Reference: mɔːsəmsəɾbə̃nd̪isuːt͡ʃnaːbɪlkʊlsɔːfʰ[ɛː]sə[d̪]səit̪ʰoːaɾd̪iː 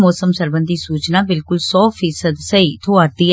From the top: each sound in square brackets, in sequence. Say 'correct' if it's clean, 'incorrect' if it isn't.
incorrect: iː, correct

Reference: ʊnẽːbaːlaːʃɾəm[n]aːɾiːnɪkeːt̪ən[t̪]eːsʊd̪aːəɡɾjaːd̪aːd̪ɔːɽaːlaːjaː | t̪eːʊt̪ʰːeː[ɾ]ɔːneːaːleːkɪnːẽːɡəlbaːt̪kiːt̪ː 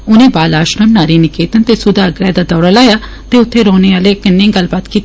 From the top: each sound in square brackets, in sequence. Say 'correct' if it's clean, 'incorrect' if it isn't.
correct, correct, correct

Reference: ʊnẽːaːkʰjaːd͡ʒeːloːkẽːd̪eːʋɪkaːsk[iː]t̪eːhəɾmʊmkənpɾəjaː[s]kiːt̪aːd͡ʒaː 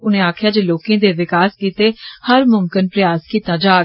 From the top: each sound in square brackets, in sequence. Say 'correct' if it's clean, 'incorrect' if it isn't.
correct, correct

